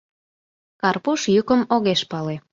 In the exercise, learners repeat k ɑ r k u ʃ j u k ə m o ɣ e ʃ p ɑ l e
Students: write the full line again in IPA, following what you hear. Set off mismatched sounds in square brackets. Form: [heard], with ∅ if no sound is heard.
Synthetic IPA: k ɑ r [p] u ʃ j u k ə m o ɣ e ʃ p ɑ l e